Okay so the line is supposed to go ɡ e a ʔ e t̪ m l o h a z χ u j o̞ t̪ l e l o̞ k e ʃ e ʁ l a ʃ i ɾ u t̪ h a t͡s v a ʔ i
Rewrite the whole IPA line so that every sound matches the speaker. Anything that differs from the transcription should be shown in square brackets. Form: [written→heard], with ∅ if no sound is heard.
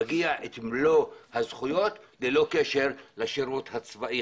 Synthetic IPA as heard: ɡ [e→i] a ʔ e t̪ m l o h a z χ u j o̞ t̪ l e l o̞ k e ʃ e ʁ l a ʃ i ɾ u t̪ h a t͡s v a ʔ i